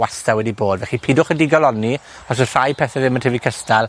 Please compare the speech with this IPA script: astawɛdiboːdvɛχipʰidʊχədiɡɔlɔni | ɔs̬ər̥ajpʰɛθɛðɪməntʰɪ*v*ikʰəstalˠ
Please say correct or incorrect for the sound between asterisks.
correct